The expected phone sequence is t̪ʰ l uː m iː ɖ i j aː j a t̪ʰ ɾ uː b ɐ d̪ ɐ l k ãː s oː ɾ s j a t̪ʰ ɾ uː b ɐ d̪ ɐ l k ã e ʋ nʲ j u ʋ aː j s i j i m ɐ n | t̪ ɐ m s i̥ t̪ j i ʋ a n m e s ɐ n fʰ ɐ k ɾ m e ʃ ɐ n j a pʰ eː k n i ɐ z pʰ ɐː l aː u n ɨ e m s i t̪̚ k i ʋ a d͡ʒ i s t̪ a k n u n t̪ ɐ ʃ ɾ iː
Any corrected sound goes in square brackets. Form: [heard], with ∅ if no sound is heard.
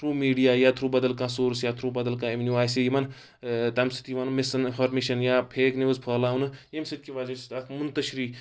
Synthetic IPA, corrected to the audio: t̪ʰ [ɾ] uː m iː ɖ i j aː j a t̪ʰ ɾ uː b ɐ d̪ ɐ l k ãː s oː ɾ s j a t̪ʰ ɾ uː b ɐ d̪ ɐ l k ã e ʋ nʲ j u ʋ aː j s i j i m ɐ n | t̪ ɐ m s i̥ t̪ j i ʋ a n m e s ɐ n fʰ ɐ [∅] ɾ m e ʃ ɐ n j a pʰ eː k n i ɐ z pʰ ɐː l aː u n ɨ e m s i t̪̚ k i ʋ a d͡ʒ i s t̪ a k [m] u n t̪ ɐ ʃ ɾ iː